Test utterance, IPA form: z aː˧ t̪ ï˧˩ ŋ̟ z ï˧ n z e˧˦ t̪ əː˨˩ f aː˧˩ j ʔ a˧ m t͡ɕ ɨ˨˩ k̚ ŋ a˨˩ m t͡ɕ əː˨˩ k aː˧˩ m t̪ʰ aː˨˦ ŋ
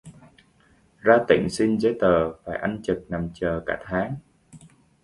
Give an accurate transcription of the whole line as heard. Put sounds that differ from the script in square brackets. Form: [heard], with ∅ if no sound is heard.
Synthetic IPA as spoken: z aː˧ t̪ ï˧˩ ŋ̟ [s] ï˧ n z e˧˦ t̪ əː˨˩ f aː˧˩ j ʔ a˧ [n] t͡ɕ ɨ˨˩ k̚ [n] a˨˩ m t͡ɕ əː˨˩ k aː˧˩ [∅] t̪ʰ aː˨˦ ŋ